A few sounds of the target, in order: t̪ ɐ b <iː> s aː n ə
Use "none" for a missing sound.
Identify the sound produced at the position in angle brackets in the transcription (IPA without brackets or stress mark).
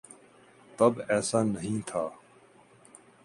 ɛː